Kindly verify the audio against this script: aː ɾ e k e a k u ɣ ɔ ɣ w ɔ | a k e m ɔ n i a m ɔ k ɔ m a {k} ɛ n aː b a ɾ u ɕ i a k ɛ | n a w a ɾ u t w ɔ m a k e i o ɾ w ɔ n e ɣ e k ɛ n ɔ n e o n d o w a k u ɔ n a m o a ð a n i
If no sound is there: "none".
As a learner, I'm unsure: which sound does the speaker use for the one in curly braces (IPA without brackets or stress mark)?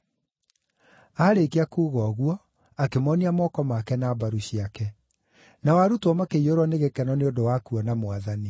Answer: k